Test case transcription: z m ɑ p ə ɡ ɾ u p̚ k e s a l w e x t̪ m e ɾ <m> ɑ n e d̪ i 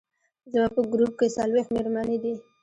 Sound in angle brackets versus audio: correct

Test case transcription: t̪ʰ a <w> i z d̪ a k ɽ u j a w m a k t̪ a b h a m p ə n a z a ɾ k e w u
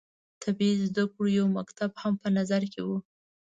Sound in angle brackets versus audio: incorrect: b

